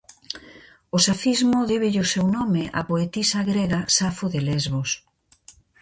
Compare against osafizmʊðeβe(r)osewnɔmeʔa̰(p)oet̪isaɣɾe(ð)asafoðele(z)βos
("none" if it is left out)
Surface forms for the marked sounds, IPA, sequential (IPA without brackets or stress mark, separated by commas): ʎ, p, ɣ, z